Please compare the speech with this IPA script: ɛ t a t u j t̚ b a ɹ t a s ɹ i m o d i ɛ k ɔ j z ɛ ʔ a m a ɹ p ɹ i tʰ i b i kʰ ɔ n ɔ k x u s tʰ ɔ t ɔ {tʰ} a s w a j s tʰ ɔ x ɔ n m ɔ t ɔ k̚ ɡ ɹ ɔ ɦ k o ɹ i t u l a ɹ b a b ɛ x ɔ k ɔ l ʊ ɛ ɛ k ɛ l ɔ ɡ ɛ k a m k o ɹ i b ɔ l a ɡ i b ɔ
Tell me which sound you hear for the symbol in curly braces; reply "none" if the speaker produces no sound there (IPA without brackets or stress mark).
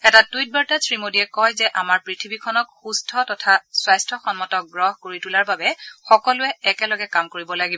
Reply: tʰ